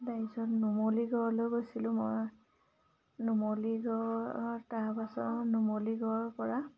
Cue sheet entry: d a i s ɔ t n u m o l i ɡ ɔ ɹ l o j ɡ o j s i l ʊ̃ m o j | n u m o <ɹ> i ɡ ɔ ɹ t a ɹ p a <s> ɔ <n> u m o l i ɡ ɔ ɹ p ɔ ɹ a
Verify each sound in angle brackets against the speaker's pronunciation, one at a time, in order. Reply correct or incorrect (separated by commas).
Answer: incorrect, correct, correct